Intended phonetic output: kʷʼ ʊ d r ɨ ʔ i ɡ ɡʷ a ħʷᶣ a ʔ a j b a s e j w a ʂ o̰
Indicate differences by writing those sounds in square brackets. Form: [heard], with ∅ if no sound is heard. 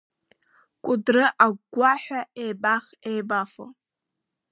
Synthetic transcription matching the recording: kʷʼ ʊ d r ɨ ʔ [a] ɡ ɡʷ a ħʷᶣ a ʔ [e] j b a [χ] e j [b] a [f] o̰